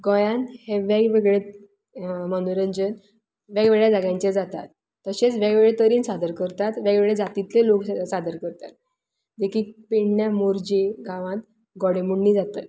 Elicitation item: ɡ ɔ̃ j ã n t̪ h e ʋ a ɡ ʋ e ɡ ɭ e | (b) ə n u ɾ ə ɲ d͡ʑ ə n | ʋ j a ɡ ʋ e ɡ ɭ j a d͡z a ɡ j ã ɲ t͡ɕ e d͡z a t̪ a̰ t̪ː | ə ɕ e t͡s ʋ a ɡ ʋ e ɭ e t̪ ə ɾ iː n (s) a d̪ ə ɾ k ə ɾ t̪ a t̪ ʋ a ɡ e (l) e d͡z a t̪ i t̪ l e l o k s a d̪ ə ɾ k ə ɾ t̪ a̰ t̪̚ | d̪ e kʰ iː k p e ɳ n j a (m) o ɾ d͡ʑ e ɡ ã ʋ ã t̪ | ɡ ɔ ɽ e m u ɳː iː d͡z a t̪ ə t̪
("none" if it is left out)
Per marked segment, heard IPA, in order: m, s, ɭ, m

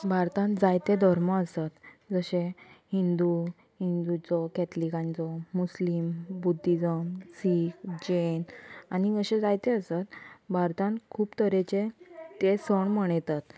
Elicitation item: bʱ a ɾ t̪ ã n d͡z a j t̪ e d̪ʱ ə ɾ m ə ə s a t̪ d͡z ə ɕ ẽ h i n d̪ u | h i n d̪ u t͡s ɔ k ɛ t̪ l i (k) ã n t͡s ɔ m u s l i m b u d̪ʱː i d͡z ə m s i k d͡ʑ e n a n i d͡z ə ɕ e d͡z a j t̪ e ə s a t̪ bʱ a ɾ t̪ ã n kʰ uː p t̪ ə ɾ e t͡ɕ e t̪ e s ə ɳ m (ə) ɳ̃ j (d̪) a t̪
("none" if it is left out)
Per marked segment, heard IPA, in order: k, ə, t̪

